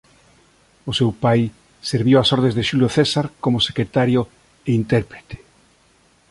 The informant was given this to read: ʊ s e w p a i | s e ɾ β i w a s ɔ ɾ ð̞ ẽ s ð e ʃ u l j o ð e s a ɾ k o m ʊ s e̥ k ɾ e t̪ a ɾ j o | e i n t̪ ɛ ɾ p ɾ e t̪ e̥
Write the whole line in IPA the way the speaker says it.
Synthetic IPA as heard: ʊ s e w p a j | s e ɾ β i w a s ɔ ɾ ð̞ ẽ z ð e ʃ u l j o θ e s a ɾ k o m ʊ s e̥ k ɾ e t̪ a ɾ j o | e i n t̪ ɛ ɾ p ɾ e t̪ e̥